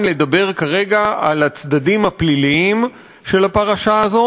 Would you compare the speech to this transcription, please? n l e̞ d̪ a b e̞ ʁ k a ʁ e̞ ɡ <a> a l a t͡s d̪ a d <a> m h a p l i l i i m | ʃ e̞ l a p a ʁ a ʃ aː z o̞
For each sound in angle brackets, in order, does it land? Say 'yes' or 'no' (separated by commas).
yes, no